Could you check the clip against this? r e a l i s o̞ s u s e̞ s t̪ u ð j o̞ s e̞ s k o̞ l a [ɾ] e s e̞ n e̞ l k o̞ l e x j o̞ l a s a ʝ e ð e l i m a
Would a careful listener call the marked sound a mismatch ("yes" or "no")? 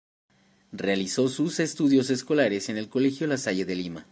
no